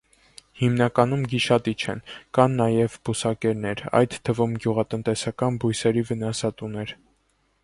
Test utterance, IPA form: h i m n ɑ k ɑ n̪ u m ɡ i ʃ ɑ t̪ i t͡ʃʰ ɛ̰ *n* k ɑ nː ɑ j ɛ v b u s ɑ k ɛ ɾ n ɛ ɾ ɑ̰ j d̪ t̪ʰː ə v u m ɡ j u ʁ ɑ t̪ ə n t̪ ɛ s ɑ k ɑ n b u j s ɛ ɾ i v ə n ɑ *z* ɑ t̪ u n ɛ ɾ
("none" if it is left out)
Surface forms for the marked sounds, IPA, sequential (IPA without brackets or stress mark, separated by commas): n, s